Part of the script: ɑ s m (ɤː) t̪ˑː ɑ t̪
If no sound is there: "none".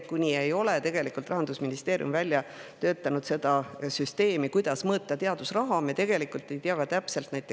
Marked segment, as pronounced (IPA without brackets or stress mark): ɤː